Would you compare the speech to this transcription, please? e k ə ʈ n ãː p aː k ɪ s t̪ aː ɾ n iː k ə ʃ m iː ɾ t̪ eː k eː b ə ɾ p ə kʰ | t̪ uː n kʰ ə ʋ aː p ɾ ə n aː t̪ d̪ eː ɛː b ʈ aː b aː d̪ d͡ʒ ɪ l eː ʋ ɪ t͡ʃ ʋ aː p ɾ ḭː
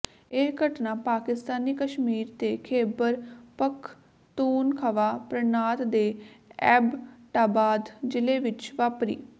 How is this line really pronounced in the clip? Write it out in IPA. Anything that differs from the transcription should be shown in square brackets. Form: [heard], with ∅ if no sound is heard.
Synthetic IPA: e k ə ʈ n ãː p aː k ɪ s t̪ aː [∅] n iː k ə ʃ m iː ɾ t̪ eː [kʰ] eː b ə ɾ p ə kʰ | t̪ uː n kʰ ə ʋ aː p ɾ ə n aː t̪ d̪ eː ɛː b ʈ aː b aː d̪ d͡ʒ ɪ l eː ʋ ɪ t͡ʃ ʋ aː p ɾ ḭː

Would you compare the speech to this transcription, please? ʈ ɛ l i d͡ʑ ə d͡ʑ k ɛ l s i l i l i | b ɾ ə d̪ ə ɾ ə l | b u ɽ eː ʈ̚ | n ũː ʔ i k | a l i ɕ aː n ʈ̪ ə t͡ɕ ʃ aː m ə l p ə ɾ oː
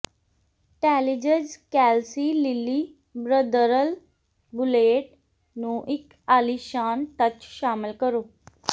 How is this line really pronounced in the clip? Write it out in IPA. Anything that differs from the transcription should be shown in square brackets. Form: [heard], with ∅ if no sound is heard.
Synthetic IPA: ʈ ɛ l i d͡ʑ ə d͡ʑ k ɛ l s i l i l i | b ɾ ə d̪ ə ɾ ə l | b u [l] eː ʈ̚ | n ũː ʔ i k | a l i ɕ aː n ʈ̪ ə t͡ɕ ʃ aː m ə l [k] ə ɾ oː

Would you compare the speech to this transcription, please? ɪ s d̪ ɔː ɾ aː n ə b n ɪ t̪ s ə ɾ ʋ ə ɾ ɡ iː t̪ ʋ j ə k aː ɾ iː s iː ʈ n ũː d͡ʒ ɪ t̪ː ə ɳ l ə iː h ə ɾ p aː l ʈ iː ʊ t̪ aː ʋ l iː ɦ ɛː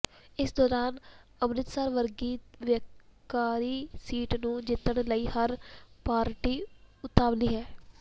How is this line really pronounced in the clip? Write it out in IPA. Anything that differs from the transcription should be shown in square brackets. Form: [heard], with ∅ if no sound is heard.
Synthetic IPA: ɪ s d̪ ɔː ɾ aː n ə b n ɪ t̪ s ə ɾ ʋ ə ɾ ɡ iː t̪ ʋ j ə k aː ɾ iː s iː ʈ n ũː d͡ʒ ɪ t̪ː ə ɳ l ə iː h ə ɾ p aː [ɾ] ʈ iː ʊ t̪ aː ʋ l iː ɦ ɛː

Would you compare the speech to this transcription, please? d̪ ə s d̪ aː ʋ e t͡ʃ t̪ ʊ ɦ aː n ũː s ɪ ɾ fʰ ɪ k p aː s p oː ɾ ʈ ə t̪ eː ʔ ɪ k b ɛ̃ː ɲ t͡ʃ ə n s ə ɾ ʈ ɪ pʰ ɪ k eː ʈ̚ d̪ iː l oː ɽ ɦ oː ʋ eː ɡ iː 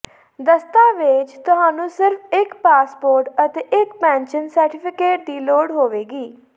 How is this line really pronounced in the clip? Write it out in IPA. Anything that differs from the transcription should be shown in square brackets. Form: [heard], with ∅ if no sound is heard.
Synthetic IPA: d̪ ə s [t̪] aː ʋ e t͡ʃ t̪ ʊ ɦ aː n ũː s ɪ ɾ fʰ ɪ k p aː s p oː ɾ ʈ ə t̪ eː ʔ ɪ k [p] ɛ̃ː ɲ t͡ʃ ə n s ə ɾ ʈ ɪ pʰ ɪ k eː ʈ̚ d̪ iː l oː ɽ ɦ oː ʋ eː ɡ iː

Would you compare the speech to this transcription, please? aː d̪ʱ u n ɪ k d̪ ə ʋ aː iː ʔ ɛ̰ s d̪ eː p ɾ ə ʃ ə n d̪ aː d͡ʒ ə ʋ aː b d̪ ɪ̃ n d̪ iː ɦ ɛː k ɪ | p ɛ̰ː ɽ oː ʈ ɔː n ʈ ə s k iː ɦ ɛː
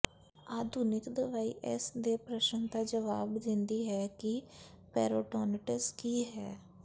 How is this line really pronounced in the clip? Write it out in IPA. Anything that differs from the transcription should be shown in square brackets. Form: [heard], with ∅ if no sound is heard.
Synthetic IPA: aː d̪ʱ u n ɪ k d̪ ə ʋ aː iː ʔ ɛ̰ s d̪ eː p ɾ ə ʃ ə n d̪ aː d͡ʒ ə ʋ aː b d̪ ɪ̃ n d̪ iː ɦ ɛː k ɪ | p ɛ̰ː [ɾ] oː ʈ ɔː n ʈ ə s k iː ɦ ɛː

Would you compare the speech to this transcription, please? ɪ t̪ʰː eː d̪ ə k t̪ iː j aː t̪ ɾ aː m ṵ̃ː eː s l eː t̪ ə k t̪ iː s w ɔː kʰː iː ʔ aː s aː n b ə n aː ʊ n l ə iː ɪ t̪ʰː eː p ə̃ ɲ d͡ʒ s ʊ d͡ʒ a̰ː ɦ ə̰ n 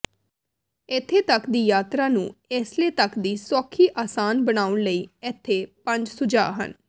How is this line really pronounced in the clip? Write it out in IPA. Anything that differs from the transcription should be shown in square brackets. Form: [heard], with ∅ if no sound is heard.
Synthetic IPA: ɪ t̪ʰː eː [t̪] ə k [d̪] iː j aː t̪ ɾ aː [n] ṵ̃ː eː s l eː t̪ ə k [d̪] iː s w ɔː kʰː iː ʔ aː s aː n b ə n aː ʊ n l ə iː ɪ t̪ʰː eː p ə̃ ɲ d͡ʒ s ʊ d͡ʒ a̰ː ɦ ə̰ n

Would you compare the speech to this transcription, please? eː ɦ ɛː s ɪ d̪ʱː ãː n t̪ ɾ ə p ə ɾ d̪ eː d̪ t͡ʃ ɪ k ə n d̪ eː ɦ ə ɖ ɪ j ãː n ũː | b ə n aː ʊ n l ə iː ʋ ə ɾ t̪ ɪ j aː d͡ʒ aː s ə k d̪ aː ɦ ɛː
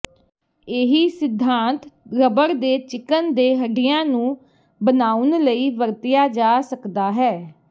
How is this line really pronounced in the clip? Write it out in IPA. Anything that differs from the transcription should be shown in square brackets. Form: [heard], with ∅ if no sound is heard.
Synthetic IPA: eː ɦ [iː] s ɪ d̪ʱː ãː n t̪ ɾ ə [b] ə ɾ d̪ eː [∅] t͡ʃ ɪ k ə n d̪ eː ɦ ə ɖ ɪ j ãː n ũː | b ə n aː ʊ n l ə iː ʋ ə ɾ t̪ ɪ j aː d͡ʒ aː s ə k d̪ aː ɦ ɛː

